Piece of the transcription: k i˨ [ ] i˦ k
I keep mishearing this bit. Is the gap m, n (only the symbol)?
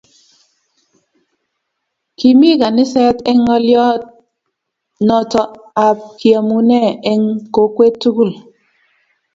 m